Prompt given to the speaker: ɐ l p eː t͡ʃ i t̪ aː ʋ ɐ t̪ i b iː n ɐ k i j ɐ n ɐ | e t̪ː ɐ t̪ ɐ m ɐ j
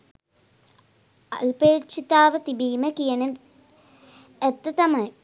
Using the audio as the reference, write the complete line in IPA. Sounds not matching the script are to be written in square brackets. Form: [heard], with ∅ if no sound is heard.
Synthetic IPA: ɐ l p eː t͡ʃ i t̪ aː ʋ ɐ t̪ i b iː [m] ɐ k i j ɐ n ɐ | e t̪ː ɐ t̪ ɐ m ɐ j